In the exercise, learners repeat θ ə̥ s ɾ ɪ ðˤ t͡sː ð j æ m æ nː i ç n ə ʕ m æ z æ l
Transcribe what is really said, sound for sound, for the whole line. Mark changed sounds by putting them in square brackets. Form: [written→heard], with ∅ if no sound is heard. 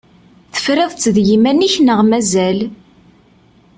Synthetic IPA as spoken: θ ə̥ [s→f] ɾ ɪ ðˤ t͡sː ð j [æ→i] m æ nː i ç n ə [ʕ→ʁ] m æ z æ l